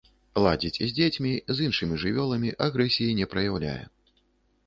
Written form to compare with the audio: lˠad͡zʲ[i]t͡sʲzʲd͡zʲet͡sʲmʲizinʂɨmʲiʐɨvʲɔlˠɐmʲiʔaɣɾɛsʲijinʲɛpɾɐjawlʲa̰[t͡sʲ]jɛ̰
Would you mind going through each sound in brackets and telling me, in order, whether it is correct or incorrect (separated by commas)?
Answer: correct, incorrect